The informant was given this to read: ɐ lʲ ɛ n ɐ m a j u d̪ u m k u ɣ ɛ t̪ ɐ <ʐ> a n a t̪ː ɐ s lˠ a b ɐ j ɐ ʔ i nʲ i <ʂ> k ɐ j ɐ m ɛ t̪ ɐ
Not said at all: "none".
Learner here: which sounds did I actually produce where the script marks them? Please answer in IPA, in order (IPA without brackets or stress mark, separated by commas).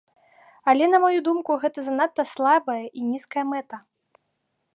z, s